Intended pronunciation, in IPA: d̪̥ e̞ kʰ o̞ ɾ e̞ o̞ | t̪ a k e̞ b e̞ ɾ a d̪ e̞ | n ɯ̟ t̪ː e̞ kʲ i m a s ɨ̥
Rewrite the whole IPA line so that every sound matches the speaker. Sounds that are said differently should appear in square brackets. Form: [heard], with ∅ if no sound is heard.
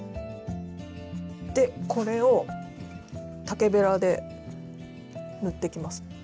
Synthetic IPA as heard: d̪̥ e̞ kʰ o̞ ɾ e̞ o̞ | t̪ a k e̞ b e̞ ɾ a d̪ e̞ | n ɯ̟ t̪ː e̞ kʲ i m a s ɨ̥